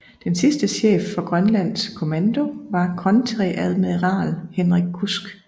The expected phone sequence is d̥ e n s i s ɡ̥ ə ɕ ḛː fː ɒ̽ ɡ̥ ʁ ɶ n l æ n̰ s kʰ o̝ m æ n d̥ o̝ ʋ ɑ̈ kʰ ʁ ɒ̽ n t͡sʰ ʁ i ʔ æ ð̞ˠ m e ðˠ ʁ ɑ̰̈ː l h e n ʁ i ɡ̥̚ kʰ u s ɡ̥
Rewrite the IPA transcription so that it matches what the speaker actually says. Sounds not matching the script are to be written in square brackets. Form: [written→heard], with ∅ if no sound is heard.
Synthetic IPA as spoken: d̥ e n s i s [ɡ̥→d̥] ə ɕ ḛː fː ɒ̽ ɡ̥ ʁ ɶ n l æ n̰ s kʰ o̝ m æ n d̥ o̝ ʋ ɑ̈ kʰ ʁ ɒ̽ n t͡sʰ ʁ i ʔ æ ð̞ˠ m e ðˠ ʁ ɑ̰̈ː l h e n ʁ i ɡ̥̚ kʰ u s ɡ̥